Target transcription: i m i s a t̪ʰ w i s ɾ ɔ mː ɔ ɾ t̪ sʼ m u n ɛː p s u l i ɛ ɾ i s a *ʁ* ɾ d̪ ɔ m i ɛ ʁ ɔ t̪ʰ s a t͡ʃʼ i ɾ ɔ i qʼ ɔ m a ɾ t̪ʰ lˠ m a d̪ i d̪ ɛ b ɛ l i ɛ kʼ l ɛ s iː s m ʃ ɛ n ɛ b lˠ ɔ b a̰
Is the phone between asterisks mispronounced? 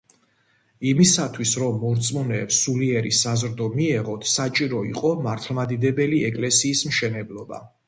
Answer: yes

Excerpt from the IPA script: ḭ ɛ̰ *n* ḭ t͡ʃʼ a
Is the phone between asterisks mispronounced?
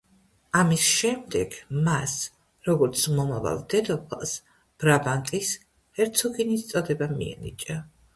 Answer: no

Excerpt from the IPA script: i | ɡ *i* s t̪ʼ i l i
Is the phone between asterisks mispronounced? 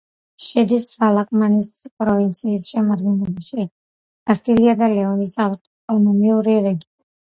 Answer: yes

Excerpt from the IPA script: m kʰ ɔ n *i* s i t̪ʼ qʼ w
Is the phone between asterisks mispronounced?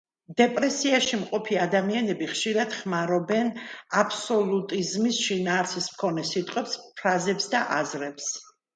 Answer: yes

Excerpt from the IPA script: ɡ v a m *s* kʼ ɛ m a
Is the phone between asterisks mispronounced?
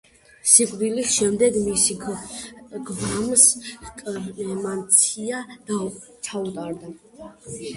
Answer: no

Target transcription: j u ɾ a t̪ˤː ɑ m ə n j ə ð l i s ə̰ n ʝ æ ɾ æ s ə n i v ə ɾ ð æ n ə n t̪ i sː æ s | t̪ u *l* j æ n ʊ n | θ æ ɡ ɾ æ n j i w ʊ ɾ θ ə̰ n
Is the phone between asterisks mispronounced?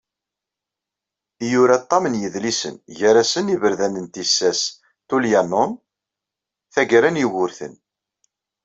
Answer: no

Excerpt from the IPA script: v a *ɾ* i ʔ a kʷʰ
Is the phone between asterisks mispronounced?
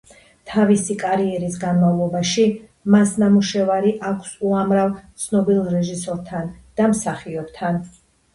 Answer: no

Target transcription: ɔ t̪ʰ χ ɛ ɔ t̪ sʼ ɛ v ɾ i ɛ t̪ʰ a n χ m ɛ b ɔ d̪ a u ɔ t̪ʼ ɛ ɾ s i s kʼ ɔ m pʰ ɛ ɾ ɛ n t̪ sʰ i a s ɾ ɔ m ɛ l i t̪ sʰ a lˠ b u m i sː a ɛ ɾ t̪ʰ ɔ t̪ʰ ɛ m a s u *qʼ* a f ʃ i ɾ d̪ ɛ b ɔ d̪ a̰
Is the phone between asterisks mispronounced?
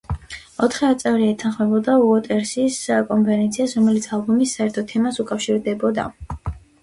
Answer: yes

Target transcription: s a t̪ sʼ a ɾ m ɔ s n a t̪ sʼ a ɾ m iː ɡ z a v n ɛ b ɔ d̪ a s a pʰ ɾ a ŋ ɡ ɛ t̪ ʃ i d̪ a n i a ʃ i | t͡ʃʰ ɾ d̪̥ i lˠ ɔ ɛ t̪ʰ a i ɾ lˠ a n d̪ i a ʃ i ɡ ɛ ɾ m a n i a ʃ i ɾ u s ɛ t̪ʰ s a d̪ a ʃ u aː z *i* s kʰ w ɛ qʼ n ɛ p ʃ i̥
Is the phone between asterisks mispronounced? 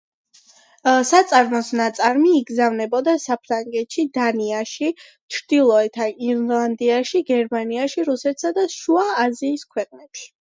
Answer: yes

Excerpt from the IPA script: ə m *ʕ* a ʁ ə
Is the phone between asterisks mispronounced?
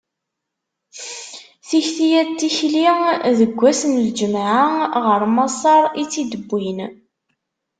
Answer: no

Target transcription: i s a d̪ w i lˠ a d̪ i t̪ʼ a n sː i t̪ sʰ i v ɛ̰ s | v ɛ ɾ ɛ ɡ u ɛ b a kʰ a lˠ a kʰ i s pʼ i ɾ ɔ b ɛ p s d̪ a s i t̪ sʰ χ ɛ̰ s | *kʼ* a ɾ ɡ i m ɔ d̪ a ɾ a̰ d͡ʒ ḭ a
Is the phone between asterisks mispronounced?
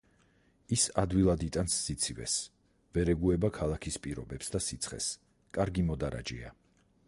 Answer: no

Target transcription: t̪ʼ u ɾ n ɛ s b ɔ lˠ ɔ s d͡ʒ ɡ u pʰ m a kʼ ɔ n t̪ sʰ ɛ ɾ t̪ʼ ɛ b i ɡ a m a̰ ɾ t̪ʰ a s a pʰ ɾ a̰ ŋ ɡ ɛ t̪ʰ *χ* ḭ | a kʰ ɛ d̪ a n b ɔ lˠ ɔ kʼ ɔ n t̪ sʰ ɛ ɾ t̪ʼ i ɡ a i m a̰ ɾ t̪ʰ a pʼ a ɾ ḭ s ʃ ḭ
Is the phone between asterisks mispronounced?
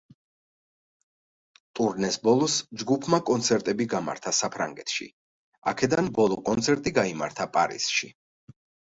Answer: yes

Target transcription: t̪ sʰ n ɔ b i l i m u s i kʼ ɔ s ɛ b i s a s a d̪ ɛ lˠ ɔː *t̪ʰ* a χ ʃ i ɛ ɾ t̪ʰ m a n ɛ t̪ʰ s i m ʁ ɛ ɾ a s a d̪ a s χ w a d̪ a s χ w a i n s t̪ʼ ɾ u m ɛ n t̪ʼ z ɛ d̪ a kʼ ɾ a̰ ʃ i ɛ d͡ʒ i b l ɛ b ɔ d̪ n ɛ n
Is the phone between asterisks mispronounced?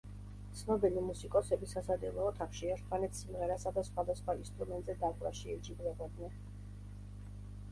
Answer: no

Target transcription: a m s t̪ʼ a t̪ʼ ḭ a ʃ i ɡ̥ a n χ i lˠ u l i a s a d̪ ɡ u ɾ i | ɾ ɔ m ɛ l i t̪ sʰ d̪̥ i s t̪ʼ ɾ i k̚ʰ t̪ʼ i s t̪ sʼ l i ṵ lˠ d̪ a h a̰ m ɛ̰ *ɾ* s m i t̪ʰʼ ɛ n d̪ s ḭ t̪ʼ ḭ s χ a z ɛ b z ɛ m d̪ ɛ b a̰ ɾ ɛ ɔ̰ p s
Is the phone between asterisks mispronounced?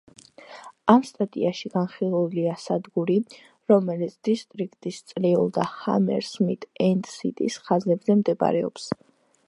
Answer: no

